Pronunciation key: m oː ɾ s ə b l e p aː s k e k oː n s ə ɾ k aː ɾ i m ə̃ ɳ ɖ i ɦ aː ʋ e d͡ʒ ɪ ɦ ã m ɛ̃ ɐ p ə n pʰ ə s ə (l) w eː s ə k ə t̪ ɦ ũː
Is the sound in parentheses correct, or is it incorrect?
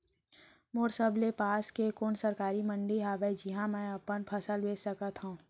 correct